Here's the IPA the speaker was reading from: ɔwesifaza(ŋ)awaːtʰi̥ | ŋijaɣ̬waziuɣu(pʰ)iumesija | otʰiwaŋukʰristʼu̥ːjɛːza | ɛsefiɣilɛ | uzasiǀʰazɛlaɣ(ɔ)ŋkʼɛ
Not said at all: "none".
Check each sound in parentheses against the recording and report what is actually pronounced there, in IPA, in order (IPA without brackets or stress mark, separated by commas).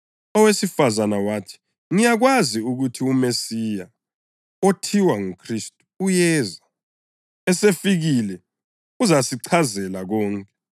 n, tʰ, ɔː